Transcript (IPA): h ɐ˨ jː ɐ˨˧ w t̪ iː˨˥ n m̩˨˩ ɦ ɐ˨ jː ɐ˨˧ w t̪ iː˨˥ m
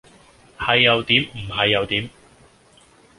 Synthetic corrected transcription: h ɐ˨ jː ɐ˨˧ w t̪ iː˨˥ m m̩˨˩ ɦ ɐ˨ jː ɐ˨˧ w t̪ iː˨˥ m

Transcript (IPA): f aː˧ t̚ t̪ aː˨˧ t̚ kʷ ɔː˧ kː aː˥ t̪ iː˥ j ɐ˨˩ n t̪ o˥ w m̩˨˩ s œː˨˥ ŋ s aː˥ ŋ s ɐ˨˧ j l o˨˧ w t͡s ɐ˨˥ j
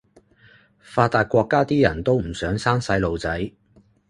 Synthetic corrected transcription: f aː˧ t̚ t̪ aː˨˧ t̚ kʷ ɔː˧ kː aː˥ t̪ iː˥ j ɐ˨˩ n t̪ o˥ w m̩˨˩ s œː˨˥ ŋ s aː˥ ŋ s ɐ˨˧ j l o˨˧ w t͡s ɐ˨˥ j

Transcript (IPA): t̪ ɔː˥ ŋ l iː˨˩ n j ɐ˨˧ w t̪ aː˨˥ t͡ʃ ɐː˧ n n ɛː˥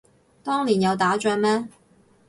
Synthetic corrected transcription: t̪ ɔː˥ ŋ l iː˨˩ n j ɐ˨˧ w t̪ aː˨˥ t͡ʃ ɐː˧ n m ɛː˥

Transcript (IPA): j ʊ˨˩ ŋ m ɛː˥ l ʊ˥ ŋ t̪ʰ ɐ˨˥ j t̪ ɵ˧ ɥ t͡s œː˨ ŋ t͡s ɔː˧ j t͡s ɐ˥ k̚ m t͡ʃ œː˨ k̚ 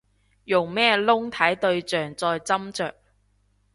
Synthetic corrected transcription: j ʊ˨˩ ŋ m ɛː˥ l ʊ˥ ŋ t̪ʰ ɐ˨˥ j t̪ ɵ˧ ɥ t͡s œː˨ ŋ t͡s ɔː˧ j t͡s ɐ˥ m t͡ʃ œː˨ k̚

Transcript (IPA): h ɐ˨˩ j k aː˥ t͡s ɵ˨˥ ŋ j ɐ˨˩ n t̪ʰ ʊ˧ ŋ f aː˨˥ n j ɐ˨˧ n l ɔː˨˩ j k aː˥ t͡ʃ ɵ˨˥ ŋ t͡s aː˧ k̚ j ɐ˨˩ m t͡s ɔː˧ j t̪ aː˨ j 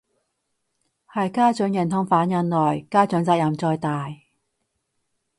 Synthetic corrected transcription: h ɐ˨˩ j k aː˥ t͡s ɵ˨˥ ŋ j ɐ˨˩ n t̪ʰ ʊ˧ ŋ f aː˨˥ n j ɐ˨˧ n l ɔː˨˩ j k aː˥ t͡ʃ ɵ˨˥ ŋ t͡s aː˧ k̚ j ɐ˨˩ m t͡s ɔː˧ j t̪ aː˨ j

